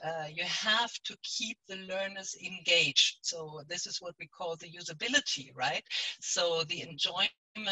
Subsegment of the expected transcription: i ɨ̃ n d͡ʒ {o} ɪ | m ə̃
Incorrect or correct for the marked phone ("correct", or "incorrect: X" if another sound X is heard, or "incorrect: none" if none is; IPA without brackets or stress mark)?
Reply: incorrect: ɔ